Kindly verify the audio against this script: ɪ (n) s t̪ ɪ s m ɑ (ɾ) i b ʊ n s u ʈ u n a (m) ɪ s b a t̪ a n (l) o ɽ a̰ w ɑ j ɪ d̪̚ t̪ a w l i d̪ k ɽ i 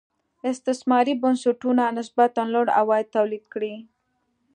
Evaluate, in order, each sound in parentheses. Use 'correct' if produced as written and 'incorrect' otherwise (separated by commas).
incorrect, correct, incorrect, correct